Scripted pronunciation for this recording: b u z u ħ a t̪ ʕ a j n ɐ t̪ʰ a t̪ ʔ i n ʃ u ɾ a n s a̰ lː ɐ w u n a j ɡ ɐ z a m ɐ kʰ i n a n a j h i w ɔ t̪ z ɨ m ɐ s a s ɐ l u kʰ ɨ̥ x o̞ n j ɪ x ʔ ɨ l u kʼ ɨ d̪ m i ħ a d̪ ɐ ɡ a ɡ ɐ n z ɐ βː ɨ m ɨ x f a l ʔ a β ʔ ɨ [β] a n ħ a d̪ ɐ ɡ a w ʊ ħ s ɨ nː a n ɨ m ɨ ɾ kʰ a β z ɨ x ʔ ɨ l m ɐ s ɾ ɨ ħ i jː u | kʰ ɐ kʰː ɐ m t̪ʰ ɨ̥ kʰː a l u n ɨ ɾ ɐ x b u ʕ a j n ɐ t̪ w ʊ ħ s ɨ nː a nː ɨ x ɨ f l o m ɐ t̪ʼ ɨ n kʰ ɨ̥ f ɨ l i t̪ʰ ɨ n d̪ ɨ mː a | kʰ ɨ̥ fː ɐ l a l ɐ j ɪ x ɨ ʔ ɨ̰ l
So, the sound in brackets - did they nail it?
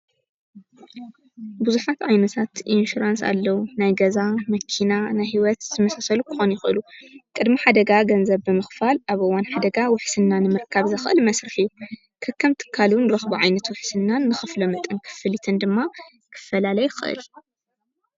no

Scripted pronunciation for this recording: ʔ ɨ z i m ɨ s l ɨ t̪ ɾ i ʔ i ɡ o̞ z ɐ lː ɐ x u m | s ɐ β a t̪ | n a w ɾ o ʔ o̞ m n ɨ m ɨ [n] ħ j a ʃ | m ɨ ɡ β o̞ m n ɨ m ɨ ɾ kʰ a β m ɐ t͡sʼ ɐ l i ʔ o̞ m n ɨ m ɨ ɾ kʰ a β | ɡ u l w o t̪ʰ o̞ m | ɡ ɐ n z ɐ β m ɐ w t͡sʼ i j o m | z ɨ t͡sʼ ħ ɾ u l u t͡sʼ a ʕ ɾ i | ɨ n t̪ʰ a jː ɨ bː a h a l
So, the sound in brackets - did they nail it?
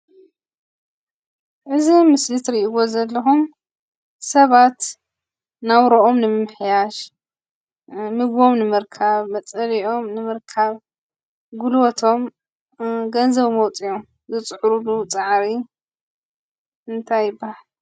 no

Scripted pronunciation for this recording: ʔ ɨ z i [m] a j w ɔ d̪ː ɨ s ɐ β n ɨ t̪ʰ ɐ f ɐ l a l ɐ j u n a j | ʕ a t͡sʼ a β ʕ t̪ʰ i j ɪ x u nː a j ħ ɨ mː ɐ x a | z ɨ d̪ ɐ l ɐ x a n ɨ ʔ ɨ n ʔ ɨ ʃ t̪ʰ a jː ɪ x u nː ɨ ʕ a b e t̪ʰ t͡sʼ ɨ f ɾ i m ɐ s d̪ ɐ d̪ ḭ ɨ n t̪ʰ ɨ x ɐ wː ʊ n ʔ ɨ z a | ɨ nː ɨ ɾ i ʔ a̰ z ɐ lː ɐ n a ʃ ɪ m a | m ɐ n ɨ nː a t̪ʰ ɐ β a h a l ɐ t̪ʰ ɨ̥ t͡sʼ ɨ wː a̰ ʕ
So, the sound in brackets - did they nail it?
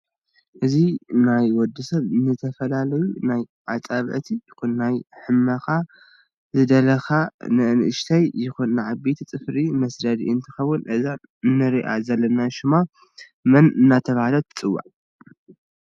no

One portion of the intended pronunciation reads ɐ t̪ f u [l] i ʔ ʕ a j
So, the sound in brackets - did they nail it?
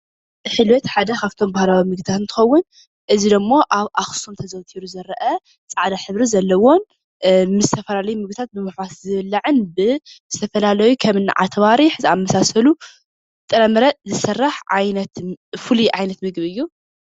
yes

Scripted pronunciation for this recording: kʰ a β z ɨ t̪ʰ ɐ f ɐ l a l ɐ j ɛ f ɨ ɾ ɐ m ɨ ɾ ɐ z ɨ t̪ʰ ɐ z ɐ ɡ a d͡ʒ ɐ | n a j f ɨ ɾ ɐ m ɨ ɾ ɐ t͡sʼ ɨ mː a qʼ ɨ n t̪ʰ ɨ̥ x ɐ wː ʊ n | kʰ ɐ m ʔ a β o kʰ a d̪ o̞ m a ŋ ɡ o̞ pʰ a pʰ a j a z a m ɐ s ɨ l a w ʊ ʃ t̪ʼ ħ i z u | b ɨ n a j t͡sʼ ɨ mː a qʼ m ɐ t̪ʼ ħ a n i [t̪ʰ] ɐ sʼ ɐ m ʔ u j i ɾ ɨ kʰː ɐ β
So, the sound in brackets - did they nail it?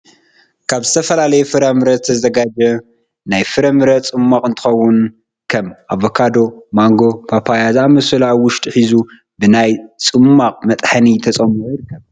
yes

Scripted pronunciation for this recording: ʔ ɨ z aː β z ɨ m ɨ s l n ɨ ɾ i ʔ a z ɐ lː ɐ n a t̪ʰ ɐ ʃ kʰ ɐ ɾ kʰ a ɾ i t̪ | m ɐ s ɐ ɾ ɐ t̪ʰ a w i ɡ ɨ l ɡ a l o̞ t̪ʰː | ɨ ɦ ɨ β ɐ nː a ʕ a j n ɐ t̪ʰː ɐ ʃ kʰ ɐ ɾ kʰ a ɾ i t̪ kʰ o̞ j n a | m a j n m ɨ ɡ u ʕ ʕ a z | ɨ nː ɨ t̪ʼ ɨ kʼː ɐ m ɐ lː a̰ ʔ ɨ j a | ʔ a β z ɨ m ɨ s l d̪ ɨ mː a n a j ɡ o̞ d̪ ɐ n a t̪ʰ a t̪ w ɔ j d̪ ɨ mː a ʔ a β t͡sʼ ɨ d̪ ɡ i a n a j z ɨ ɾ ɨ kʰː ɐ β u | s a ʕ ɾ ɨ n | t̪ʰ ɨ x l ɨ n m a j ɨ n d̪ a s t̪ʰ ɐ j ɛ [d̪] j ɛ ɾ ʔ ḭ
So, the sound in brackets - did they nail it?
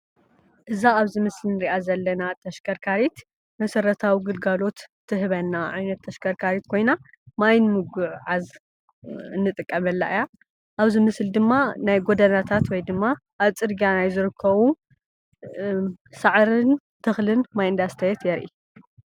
no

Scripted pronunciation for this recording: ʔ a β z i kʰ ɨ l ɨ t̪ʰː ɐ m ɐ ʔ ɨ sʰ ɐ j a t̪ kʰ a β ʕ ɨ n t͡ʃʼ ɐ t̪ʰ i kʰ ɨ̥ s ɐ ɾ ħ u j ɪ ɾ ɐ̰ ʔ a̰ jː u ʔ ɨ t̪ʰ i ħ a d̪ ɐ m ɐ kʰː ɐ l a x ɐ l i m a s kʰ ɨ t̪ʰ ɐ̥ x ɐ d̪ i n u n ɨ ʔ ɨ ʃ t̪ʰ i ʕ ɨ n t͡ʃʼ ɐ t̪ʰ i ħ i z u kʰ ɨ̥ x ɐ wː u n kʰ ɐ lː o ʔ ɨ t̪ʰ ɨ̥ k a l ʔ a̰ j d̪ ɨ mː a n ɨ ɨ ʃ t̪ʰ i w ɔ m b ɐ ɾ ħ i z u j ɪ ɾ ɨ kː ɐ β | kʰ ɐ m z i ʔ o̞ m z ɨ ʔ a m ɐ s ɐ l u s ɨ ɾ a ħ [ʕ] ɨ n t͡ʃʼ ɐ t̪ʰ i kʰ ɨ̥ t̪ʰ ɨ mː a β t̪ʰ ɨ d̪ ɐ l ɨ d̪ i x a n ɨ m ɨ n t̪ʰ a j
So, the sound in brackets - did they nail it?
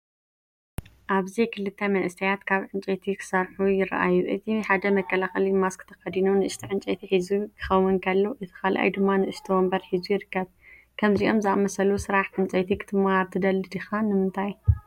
yes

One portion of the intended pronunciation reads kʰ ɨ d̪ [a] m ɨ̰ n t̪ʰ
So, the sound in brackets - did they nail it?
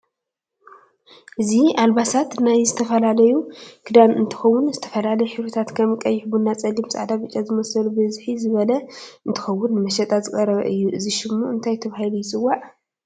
yes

